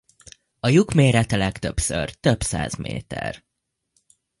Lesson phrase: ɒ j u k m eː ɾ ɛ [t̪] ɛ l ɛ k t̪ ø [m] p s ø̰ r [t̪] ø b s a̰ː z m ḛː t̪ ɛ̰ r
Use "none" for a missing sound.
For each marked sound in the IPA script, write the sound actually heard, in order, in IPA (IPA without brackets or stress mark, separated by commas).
t̪, none, t̪